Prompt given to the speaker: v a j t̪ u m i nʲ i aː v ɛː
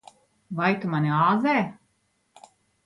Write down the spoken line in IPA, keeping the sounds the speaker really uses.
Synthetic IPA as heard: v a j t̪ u m a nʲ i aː z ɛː